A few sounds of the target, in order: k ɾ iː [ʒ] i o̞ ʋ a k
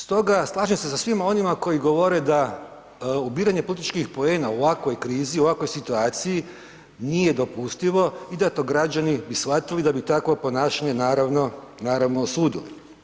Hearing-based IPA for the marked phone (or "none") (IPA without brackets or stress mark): z